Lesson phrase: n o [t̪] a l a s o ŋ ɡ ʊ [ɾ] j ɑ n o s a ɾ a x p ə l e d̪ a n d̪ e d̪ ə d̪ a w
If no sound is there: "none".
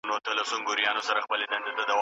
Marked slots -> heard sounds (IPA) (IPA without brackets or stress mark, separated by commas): t̪, ɾ